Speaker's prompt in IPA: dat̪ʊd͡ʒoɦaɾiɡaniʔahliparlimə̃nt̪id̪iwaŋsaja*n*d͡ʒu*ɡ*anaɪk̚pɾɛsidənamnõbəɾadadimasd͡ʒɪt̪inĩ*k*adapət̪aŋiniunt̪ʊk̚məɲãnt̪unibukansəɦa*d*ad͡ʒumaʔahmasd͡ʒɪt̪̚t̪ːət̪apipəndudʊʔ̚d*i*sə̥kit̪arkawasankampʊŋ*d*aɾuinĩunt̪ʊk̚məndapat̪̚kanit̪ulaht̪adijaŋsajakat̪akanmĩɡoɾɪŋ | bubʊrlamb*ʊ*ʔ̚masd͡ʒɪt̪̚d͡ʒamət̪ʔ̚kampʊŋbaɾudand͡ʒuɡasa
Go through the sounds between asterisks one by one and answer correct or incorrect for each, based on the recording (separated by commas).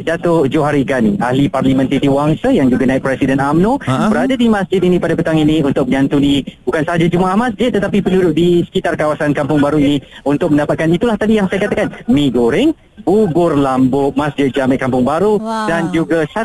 incorrect, correct, incorrect, incorrect, correct, incorrect, correct